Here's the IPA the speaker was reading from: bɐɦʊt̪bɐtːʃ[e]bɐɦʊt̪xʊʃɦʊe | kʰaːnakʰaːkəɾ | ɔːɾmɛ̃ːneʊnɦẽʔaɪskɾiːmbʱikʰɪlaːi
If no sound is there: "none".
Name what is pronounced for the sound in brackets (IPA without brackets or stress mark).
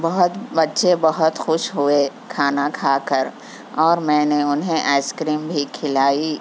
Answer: e